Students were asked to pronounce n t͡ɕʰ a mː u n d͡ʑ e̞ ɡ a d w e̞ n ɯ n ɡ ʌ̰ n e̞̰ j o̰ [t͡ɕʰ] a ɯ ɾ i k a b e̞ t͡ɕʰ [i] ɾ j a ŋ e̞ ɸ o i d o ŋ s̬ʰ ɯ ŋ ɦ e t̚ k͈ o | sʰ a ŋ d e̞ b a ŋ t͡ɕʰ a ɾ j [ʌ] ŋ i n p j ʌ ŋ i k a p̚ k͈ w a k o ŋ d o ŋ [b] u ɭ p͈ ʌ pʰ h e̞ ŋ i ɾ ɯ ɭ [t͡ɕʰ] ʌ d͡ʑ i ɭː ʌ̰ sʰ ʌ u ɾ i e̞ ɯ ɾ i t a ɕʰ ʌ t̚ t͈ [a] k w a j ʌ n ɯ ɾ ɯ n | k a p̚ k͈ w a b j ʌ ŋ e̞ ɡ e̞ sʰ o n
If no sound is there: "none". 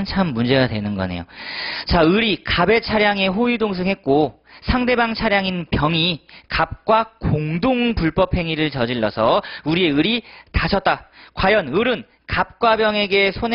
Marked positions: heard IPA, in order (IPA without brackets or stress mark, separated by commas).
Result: t͡ɕ, a, a, p, t͡ɕ, a